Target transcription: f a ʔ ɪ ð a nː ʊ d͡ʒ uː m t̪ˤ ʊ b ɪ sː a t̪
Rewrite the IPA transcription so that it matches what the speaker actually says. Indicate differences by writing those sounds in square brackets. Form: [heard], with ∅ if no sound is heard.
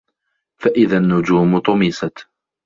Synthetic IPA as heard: f a ʔ ɪ ð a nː ʊ d͡ʒ uː m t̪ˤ ʊ [m] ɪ [s] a t̪